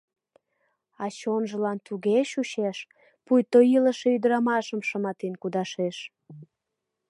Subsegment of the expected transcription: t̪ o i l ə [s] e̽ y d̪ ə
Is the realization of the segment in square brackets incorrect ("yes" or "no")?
yes